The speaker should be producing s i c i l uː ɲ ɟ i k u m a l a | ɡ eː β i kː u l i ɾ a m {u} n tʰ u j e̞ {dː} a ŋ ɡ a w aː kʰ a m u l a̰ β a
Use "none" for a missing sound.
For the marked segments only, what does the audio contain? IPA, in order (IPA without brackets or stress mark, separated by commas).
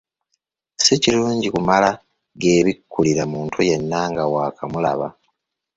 uː, nː